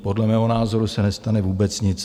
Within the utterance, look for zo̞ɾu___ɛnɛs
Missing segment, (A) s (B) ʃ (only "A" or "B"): A